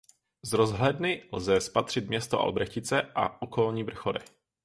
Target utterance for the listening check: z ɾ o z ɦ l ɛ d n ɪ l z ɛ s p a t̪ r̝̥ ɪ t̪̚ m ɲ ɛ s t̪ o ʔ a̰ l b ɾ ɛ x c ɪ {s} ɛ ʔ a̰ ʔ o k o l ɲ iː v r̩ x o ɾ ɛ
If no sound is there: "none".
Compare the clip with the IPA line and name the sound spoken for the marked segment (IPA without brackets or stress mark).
t͡s